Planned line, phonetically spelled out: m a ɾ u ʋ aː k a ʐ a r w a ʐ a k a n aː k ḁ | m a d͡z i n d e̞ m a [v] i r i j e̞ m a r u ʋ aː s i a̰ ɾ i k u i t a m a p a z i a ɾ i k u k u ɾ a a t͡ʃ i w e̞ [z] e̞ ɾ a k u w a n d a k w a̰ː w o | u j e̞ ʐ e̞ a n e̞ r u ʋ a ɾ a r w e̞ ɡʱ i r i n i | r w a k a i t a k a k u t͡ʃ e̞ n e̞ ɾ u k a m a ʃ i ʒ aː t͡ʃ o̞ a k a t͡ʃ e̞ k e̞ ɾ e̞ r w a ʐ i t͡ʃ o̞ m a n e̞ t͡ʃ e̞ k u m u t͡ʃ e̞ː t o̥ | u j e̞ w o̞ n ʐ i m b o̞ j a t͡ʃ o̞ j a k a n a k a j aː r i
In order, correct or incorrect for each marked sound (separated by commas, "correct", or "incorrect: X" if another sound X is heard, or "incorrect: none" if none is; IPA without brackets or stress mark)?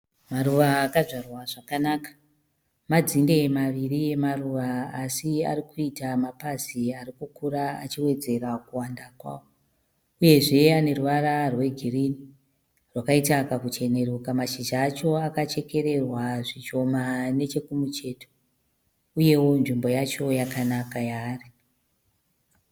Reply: incorrect: ʋ, incorrect: d͡z